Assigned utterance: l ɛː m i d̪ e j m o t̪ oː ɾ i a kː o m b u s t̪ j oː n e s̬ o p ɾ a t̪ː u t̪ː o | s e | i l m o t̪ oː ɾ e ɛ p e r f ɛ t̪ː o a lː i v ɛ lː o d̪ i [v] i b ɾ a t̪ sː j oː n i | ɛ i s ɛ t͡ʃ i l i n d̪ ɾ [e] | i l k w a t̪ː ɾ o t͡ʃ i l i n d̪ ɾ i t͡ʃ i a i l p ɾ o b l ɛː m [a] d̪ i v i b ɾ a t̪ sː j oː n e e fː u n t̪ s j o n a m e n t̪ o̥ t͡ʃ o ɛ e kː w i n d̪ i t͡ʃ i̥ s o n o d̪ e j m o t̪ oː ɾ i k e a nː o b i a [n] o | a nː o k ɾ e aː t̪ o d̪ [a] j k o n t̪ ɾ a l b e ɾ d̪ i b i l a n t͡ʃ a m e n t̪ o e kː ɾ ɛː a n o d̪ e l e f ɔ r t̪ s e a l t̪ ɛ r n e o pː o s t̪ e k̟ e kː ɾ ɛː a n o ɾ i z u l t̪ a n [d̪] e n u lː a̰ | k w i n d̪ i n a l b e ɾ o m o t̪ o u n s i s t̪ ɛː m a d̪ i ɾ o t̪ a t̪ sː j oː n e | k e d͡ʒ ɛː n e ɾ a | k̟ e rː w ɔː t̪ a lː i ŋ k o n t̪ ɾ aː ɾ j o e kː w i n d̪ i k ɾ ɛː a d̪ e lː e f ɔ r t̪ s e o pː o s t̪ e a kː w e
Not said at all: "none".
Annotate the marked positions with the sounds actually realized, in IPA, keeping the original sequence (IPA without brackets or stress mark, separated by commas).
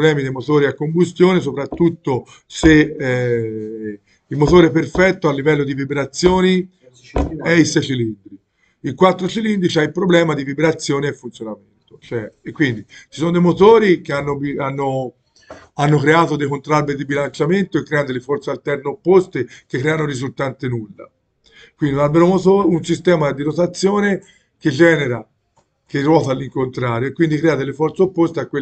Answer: v, i, a, nː, e, t̪